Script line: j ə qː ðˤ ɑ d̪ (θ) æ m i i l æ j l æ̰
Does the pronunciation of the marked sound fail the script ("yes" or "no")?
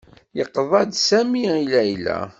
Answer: yes